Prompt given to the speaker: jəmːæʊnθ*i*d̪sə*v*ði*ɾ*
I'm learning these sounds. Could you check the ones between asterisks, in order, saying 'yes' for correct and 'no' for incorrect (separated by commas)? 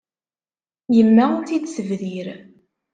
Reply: yes, yes, yes